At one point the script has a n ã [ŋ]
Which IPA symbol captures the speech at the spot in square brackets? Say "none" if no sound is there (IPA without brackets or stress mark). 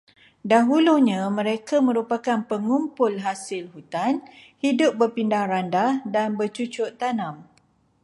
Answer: m